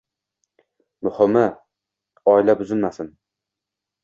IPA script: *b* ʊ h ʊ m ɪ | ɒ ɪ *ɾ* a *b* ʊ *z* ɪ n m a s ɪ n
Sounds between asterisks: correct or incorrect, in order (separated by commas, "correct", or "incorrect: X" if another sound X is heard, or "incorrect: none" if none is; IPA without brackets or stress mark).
incorrect: m, incorrect: l, correct, correct